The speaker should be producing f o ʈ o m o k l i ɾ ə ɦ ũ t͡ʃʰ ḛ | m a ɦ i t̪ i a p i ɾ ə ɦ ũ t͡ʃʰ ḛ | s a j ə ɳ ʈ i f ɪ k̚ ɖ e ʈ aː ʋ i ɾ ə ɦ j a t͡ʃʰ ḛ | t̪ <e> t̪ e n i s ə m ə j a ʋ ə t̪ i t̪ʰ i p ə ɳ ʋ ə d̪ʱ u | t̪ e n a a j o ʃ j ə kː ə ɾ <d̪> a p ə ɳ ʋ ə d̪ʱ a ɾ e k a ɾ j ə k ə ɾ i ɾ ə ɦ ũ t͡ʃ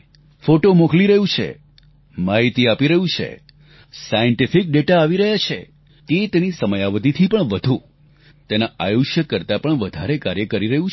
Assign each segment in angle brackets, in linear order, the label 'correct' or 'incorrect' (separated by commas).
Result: correct, incorrect